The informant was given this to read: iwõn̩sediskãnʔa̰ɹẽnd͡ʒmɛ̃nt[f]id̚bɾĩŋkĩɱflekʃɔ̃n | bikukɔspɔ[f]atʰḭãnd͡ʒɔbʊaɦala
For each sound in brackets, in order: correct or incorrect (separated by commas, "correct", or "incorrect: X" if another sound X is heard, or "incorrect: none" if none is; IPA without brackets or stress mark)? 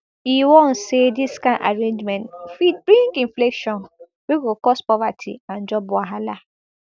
correct, incorrect: v